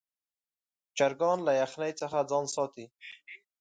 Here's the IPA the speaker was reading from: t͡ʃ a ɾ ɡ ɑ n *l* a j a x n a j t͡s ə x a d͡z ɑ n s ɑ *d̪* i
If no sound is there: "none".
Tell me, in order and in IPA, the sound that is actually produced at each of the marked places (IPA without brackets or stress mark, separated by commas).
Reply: l, t̪